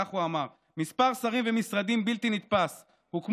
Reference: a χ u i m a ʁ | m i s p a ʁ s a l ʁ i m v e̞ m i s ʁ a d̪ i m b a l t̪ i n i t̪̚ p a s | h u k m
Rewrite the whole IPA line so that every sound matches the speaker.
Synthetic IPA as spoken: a χ u a m a ʁ | m i s p a ʁ s a ʁ i m v e̞ m i s ʁ a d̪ i m b i l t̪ i n i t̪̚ p a s | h u k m